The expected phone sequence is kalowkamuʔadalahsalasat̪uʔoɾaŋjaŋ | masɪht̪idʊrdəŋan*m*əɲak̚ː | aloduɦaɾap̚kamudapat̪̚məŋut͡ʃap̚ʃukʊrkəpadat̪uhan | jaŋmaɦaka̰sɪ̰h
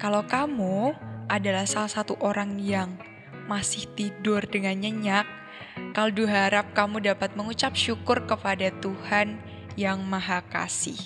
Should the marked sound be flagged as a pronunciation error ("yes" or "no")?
yes